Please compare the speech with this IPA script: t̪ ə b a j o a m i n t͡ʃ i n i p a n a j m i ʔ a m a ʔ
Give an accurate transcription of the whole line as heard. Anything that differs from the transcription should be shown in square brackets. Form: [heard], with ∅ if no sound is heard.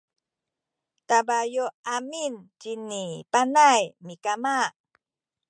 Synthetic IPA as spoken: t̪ [a] b a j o a m i n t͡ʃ i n i p a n a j m i [k] a m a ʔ